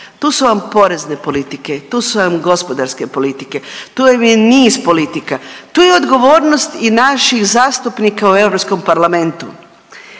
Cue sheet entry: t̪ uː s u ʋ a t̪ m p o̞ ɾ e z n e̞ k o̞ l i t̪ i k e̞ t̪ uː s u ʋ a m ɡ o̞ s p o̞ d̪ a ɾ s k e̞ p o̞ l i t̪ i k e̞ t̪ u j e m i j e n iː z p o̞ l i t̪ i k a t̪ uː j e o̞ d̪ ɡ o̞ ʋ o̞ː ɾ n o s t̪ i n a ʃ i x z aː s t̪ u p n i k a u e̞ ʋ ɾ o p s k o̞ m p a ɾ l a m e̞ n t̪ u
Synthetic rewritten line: t̪ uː s u ʋ a m p o̞ ɾ e z n e̞ p o̞ l i t̪ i k e̞ t̪ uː s u ʋ a m ɡ o̞ s p o̞ d̪ a ɾ s k e̞ p o̞ l i t̪ i k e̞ t̪ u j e m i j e n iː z p o̞ l i t̪ i k a t̪ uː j e o̞ d̪ ɡ o̞ ʋ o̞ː ɾ n o s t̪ i n a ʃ i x z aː s t̪ u p n i k a u e̞ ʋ ɾ o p s k o̞ m p a ɾ l a m e̞ n t̪ u